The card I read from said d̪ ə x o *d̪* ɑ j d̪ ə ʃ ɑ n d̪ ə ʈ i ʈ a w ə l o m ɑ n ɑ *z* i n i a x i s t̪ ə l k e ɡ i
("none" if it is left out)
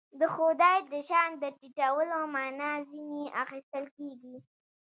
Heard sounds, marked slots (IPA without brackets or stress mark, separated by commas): d̪, z